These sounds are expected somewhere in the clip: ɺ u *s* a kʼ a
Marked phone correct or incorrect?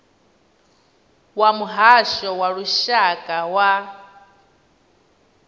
incorrect